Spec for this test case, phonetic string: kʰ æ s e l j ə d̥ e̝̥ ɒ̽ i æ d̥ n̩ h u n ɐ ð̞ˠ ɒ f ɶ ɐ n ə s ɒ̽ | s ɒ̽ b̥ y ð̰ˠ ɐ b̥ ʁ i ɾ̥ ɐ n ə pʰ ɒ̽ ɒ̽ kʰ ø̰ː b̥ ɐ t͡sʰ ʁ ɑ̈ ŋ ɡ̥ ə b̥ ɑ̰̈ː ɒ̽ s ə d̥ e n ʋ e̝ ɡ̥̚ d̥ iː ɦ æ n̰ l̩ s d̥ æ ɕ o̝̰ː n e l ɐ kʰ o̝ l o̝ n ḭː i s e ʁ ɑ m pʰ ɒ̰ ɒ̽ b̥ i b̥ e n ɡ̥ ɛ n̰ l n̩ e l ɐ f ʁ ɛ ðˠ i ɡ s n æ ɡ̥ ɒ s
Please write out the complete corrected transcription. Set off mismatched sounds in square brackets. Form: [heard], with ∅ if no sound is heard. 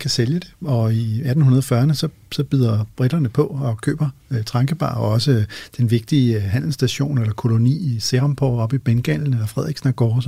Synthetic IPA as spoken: kʰ æ s e l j ə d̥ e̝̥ ɒ̽ i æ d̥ n̩ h u n ɐ ð̞ˠ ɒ f ɶ ɐ n ə s ɒ̽ | s ɒ̽ b̥ y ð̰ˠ ɐ b̥ ʁ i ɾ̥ ɐ n ə pʰ ɒ̽ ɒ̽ kʰ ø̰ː b̥ ɐ t͡sʰ ʁ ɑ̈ ŋ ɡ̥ ə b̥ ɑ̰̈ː ɒ̽ s ə d̥ e n ʋ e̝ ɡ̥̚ d̥ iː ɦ æ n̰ l̩ s d̥ æ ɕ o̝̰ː n e l ɐ kʰ o̝ l o̝ n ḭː i s e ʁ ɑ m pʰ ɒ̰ ɒ̽ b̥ i b̥ e n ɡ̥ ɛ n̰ l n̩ e l ɐ f ʁ ɛ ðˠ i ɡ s n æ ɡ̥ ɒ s